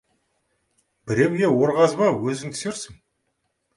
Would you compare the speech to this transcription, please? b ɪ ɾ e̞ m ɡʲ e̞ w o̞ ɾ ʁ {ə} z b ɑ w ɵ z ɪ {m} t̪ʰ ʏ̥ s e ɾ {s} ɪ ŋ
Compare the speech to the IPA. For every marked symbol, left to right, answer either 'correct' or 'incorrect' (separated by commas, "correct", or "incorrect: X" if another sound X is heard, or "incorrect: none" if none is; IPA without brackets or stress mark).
incorrect: ɑ, incorrect: ŋ, correct